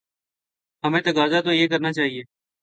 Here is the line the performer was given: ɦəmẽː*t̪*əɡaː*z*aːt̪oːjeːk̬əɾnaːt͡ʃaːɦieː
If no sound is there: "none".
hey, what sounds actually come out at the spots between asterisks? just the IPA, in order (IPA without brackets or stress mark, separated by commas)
t̪, z